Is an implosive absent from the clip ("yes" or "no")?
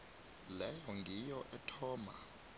yes